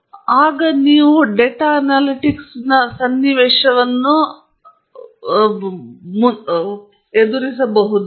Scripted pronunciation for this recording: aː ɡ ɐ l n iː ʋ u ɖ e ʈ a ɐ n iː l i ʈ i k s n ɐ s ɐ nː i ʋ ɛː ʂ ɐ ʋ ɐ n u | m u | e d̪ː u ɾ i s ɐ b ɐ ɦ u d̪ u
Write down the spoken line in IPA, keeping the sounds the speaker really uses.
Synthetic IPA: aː ɡ ɐ n iː ʋ u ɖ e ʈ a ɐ n aː l i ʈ i k s n ɐ s ɐ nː i ʋ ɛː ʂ ɐ ʋ ɐ nː u | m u | e d̪ u ɾ i s ɐ b ɐ ɦ u d̪ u